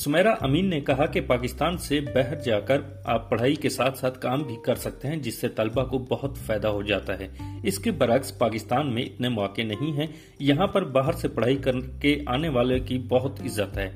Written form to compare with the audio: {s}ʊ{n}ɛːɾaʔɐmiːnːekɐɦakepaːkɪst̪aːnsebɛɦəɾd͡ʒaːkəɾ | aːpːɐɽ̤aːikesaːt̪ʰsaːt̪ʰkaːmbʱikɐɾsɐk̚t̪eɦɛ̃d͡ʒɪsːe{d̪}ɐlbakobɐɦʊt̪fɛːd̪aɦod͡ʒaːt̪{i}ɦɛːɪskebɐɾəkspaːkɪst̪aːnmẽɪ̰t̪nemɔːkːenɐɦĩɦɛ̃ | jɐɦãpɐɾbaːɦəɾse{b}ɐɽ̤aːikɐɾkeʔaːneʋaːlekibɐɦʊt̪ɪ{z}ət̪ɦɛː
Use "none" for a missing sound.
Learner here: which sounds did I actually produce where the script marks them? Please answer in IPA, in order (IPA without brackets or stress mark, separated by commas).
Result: s, m, t̪, a, p, zː